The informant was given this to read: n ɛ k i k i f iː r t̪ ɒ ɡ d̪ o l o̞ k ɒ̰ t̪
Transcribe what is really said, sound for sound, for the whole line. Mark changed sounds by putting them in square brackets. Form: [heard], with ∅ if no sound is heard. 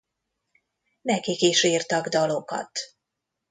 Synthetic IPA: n ɛ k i k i [ʃ] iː r t̪ ɒ ɡ d̪ [ɒ] l o̞ k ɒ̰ t̪